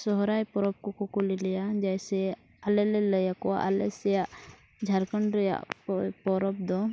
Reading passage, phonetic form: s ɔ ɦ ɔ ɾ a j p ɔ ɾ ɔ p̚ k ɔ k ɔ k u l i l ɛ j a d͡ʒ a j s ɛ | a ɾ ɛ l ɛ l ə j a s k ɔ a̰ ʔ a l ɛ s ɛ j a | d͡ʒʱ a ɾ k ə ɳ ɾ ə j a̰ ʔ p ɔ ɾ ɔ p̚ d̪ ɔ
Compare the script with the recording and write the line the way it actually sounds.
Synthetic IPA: s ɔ ɦ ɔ ɾ a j p ɔ ɾ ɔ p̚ k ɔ k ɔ k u l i l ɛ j a d͡ʒ a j s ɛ | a l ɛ l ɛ l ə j a k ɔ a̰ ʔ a l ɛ s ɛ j a | d͡ʒʱ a ɾ k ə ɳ ɾ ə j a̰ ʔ p ɔ ɾ ɔ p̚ d̪ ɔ